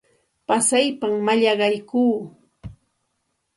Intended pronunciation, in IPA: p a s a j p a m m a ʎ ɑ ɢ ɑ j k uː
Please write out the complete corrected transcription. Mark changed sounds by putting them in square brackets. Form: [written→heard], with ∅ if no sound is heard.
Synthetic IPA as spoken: p a s a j p a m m a ʎ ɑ ɢ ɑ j k uː